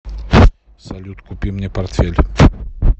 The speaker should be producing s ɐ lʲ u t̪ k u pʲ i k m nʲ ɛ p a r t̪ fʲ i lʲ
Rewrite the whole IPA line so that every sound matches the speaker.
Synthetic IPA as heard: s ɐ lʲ u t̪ k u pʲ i m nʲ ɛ p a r t̪ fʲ e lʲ